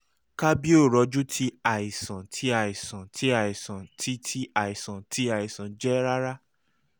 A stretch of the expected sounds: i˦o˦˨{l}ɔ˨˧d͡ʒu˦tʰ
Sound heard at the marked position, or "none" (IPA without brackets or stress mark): ɾ